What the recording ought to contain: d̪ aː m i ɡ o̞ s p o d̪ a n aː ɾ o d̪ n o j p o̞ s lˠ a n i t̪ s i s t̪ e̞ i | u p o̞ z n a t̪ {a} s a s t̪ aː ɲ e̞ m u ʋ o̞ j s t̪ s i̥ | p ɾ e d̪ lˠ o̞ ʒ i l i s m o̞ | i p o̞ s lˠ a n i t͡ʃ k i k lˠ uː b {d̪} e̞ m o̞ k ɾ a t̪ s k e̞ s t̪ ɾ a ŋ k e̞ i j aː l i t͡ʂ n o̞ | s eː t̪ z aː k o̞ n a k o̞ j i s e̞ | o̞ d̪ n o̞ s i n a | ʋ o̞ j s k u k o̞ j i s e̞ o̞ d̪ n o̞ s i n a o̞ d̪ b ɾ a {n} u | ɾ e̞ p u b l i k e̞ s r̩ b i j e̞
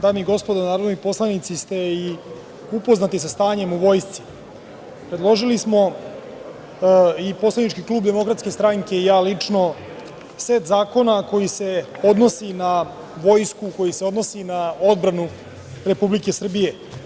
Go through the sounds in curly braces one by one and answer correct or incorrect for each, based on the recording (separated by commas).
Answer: incorrect, correct, correct